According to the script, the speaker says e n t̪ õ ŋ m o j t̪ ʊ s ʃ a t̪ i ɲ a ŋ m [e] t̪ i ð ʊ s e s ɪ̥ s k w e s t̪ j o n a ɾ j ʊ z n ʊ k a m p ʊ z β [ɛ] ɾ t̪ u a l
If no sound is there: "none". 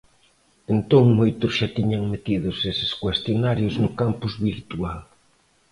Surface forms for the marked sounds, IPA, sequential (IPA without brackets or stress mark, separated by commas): e, i